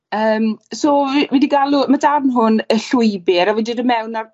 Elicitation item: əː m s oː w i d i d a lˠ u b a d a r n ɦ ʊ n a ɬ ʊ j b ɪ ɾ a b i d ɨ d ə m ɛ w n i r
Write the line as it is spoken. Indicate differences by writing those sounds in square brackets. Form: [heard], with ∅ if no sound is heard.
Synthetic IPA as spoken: əː m s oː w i d i [ɡ] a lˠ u [m] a d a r n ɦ ʊ n [ə] ɬ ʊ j b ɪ ɾ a [v] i d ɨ d ə m ɛ w n [a] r